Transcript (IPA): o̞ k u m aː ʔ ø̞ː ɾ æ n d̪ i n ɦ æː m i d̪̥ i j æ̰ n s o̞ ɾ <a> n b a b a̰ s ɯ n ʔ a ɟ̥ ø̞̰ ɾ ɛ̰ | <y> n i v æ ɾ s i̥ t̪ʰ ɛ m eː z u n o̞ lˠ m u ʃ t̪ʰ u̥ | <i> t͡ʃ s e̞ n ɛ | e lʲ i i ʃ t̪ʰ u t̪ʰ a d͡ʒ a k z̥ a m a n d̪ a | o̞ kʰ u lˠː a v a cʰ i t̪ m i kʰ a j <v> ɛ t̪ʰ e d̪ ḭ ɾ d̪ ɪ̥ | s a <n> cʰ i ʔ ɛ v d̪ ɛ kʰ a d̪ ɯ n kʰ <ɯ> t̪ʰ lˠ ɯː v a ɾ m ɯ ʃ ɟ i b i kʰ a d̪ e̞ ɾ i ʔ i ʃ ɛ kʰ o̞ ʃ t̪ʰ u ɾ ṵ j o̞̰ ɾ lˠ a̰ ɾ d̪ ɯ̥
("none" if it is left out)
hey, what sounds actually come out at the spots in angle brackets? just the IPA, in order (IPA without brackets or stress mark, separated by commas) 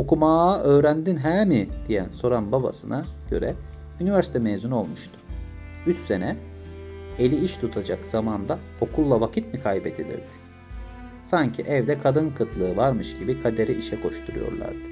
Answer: a, y, y, b, ɲ, ɯ